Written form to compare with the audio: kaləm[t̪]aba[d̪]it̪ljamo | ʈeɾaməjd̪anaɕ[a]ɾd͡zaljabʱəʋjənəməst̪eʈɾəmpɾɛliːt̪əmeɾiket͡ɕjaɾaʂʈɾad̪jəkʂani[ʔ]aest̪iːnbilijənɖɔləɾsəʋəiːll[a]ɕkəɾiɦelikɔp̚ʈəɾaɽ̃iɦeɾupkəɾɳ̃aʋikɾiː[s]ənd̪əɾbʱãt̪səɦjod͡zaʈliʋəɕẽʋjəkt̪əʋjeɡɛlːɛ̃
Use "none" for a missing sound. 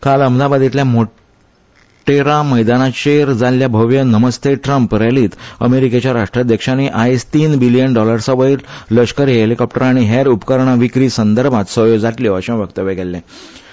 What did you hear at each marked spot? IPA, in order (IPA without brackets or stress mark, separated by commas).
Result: d̪, d̪, e, ʔ, ə, s